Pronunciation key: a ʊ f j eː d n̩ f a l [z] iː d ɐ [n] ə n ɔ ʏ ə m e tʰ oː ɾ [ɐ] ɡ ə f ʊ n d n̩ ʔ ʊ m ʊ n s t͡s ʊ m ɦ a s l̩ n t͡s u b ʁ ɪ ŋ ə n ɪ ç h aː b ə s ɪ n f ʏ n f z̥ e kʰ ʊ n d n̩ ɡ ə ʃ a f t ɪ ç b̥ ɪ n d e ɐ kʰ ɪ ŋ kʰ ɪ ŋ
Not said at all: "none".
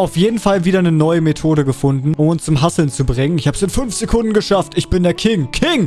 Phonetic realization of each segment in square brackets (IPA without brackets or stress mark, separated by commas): v, n, ə